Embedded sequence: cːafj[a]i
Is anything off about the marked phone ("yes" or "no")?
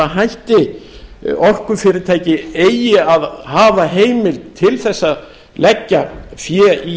yes